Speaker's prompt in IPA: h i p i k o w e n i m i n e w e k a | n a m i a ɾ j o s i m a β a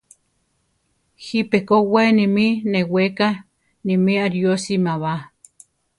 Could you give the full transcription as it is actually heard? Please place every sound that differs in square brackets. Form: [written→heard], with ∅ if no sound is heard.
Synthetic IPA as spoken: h i p [i→e] k o w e n i m i n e w e k a | n [a→i] m i a ɾ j o s i m a β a

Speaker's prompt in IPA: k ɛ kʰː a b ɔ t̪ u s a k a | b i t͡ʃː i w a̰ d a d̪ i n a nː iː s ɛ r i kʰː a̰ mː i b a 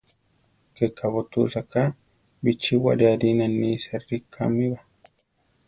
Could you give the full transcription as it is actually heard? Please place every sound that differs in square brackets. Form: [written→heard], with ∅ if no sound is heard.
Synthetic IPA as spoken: k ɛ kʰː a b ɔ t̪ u s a k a | b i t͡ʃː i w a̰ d a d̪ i n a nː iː s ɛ r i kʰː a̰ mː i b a

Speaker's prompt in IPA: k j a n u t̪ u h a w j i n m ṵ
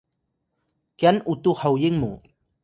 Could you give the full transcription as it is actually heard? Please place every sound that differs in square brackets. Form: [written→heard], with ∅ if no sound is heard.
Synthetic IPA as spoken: k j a n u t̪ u h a w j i [n→ŋ] m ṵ

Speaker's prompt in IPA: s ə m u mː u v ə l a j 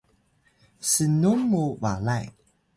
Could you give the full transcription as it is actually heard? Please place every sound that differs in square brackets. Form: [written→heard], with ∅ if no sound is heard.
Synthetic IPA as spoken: s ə [m→n] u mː u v [ə→a] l a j

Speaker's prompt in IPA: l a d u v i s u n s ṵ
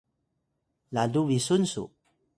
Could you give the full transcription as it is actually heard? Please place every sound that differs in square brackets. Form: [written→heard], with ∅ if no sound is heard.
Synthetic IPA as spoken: l a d u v i s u n s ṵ

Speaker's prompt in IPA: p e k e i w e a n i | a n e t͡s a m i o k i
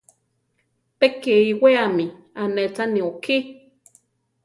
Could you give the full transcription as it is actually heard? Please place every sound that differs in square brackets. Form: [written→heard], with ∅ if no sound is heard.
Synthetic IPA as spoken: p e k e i w e a [n→m] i | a n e t͡s a [m→n] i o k i

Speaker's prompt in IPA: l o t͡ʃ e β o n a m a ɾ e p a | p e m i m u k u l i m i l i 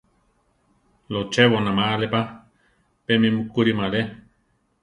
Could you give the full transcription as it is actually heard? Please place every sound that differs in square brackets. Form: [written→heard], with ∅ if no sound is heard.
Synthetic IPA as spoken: l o t͡ʃ e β o n a m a [ɾ→l] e p a | p e m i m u k u [l→ɾ] i m [i→a] l [i→e]

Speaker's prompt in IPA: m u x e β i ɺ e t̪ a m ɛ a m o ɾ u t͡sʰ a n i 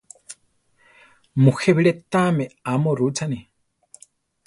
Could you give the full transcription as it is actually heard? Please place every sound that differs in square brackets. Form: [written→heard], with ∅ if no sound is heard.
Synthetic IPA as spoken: m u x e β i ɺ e t̪ a m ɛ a m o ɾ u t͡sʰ a n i

